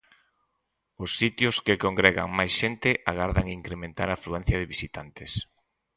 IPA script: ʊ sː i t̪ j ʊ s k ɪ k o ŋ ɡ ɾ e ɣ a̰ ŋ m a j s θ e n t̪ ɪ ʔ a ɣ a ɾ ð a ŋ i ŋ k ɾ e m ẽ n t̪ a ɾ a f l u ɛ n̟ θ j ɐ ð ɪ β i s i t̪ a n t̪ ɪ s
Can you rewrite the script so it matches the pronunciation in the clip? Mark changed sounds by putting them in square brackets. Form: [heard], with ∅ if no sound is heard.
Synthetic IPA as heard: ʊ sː i t̪ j ʊ s k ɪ k o ŋ ɡ ɾ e ɣ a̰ ŋ m a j s [ʃ] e n t̪ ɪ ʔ a ɣ a ɾ ð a ŋ i ŋ k ɾ e m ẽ n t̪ a ɾ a f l u ɛ n̟ θ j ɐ ð ɪ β i s i t̪ a n t̪ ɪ s